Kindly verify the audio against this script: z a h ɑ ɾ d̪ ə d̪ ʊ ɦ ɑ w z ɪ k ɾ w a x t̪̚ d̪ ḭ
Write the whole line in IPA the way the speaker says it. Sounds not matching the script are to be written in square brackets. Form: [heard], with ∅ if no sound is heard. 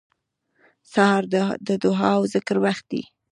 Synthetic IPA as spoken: [s] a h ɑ ɾ d̪ ə d̪ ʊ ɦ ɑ w z ɪ k ɾ w a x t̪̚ d̪ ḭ